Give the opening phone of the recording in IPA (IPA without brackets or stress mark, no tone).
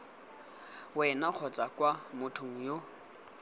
w